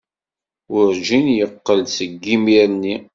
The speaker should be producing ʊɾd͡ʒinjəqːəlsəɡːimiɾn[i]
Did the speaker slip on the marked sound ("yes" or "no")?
no